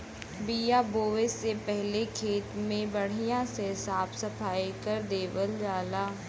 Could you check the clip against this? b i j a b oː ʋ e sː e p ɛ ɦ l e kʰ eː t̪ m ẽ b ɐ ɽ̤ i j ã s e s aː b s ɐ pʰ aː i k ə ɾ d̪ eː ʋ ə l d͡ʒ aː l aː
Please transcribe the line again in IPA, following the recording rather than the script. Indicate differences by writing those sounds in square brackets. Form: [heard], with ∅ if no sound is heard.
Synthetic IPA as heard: b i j a b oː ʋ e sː e p ɛ ɦ l e kʰ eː t̪ m ẽ b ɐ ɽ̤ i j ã s e s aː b s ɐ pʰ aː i k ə ɾ d̪ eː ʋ ə l d͡ʒ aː l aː